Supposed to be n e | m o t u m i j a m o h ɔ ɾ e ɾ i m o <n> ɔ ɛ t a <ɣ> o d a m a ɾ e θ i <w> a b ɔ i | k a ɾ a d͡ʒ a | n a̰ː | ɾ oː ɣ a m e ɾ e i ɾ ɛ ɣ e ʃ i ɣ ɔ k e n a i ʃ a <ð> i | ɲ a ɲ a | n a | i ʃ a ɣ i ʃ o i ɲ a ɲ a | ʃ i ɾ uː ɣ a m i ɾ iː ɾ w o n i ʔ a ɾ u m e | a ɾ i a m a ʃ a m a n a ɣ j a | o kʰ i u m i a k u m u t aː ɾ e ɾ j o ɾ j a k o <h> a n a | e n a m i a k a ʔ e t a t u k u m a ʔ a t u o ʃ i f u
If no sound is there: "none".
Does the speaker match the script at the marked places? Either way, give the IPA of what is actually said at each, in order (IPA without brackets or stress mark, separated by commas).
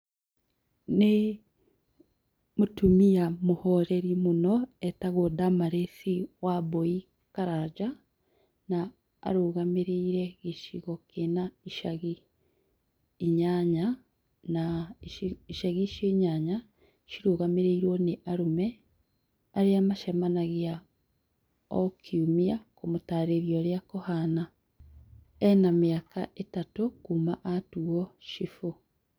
n, ɣ, w, ɣ, h